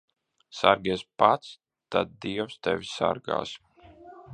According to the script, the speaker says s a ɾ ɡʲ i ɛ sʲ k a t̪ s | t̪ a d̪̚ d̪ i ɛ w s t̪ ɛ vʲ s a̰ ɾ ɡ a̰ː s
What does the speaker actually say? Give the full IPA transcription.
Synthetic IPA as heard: s a ɾ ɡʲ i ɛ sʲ p a t̪ s | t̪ a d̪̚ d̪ i ɛ w s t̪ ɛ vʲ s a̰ ɾ ɡ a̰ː s